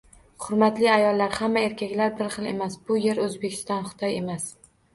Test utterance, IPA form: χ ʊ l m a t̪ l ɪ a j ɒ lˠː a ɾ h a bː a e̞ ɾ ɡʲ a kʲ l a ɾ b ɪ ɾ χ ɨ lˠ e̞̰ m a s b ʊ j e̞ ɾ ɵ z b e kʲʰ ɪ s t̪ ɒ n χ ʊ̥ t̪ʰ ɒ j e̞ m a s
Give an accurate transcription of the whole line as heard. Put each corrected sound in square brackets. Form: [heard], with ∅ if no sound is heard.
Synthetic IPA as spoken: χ ʊ [ɾ] m a t̪ l ɪ a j ɒ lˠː a ɾ h a [mː] a e̞ ɾ [kʲ] a kʲ l a ɾ b ɪ ɾ χ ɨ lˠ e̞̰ m a s b ʊ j e̞ ɾ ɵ z b e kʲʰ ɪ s t̪ ɒ n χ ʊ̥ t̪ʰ ɒ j e̞ m a s